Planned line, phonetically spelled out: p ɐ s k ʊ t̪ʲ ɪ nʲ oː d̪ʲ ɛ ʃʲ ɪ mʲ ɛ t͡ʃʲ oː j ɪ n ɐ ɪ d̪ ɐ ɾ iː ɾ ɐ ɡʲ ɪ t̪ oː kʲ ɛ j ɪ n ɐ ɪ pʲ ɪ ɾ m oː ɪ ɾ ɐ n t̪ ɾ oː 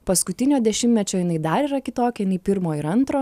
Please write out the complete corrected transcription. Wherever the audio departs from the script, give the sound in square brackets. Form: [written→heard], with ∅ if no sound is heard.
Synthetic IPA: p ɐ s k ʊ t̪ʲ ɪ nʲ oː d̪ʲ ɛ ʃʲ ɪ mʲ ɛ t͡ʃʲ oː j ɪ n ɐ ɪ d̪ ɐ ɾ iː ɾ ɐ [ɡʲ→kʲ] ɪ t̪ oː kʲ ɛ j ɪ n ɐ ɪ pʲ ɪ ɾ m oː ɪ ɾ ɐ n t̪ ɾ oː